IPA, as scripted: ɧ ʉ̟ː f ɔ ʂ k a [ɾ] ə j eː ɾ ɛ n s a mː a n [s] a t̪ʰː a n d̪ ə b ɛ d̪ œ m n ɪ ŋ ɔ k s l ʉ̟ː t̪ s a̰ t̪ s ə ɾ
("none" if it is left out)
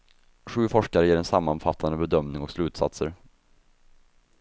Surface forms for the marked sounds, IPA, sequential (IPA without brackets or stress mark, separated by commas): ɾ, f